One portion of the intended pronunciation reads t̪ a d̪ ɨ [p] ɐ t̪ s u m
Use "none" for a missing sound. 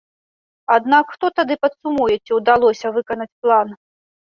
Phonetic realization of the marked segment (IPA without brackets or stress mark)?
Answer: p